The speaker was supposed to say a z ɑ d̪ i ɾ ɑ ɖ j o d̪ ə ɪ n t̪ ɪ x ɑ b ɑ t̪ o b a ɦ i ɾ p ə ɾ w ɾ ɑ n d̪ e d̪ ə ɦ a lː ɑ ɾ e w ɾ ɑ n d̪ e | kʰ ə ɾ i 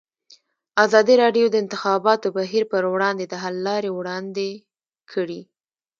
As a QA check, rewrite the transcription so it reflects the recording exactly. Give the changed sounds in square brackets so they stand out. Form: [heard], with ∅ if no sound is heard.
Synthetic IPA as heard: a z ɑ d̪ i ɾ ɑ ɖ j o d̪ ə ɪ n t̪ ɪ x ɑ b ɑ t̪ o b a ɦ i ɾ p ə ɾ w [ɽ] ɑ n d̪ e d̪ ə ɦ a lː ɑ ɾ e w [ɽ] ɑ n d̪ e | kʰ ə [ɽ] i

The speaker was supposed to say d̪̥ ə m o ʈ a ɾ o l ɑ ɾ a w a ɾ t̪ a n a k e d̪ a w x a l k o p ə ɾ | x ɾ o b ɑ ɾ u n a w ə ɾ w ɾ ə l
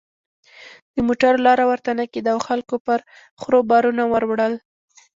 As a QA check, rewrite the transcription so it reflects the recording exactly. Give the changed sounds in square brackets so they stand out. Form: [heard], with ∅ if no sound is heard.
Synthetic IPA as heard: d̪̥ ə m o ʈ a ɾ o l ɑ ɾ a w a ɾ t̪ a n a k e d̪ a w x a l k o p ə ɾ | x ɾ o b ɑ ɾ u n a w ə ɾ w [ɽ] ə l

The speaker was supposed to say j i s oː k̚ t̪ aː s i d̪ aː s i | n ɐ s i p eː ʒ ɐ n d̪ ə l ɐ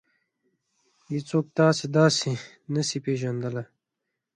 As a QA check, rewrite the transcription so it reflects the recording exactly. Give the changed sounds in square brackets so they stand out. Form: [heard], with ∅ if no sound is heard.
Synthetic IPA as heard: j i [t͡s] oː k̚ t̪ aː s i d̪ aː s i | n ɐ s i p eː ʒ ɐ n d̪ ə l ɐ

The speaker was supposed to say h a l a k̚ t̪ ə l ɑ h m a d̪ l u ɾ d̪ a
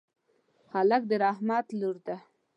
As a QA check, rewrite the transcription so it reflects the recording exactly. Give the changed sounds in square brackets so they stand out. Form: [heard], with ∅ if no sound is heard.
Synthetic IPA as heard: h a l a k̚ [d̪] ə [ɾ] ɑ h m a [t̪] l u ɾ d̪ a

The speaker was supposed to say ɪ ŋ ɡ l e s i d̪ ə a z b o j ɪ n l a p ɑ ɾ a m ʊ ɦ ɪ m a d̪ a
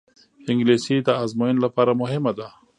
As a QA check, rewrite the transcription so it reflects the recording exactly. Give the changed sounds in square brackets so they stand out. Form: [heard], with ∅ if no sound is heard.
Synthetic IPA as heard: ɪ ŋ ɡ l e s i d̪ ə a z [m] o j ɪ n l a p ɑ ɾ a m ʊ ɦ ɪ m a d̪ a

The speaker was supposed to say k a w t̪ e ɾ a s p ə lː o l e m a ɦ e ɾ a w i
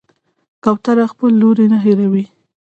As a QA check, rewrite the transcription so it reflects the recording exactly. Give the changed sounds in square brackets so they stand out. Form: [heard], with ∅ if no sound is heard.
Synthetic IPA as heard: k a w t̪ [a] ɾ a [x] p ə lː o [ɾ] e [n] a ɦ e ɾ a w i

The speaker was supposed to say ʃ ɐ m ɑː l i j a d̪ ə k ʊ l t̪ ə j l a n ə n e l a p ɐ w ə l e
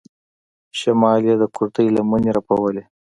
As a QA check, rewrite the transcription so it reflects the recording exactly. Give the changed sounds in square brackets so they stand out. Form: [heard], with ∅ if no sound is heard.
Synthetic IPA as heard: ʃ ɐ m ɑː l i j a d̪ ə k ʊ [ɾ] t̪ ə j l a [m] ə n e [ɾ] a p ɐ w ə l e

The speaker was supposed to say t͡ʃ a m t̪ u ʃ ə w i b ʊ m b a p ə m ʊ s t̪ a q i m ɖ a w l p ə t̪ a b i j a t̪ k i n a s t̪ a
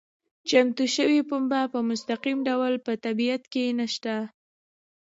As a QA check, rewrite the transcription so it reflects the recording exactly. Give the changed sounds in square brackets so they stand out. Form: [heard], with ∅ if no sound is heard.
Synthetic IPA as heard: t͡ʃ a m t̪ u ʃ ə w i [p] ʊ m b a p ə m ʊ s t̪ a q i m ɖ a w l p ə t̪ a b i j a t̪ k [e] n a [ʃ] t̪ a

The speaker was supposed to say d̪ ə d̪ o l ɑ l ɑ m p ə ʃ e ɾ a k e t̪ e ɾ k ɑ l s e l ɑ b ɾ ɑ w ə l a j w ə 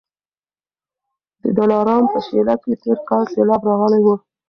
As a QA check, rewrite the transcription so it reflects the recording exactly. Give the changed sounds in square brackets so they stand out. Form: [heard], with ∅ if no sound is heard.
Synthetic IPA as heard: d̪ ə d̪ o l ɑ [ɾ] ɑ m p ə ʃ e [l] a k e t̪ e ɾ k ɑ l s e l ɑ b ɾ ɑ [ɣ] ə l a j w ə

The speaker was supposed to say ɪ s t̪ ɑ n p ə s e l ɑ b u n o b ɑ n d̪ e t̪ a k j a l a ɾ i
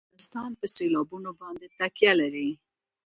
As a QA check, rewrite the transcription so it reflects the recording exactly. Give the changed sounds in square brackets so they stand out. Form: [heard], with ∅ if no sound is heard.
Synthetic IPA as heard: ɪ s t̪ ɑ n p ə s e l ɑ b u n o b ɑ n d̪ e t̪ a k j a l a ɾ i

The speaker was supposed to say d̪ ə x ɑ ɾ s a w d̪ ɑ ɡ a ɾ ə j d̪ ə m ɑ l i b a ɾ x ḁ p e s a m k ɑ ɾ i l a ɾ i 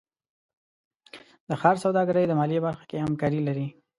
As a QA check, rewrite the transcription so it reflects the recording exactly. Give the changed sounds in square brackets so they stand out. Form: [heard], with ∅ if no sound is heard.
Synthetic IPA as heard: d̪ ə x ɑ ɾ s a w d̪ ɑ ɡ a ɾ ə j d̪ ə m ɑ l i b a ɾ x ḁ [k] e [h] a m k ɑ ɾ i l a ɾ i

